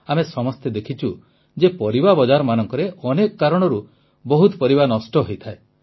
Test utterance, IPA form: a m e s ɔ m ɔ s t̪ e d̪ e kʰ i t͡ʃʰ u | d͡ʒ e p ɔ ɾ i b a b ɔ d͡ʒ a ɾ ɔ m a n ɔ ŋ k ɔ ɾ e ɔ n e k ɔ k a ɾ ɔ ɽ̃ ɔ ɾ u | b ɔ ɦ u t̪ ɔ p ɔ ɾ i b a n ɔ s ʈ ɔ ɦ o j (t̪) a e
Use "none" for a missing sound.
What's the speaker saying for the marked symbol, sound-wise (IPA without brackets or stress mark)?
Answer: t̪ʰ